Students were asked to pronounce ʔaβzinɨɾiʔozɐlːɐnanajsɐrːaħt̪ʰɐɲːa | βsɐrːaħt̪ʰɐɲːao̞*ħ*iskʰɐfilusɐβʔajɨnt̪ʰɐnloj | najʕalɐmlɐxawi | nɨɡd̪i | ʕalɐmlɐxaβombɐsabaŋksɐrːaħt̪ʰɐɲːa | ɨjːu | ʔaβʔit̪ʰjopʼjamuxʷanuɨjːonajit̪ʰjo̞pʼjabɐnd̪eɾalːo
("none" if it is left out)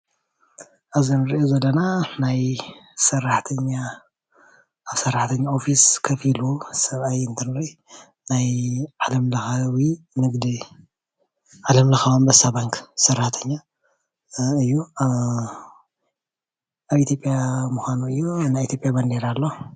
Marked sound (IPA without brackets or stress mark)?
f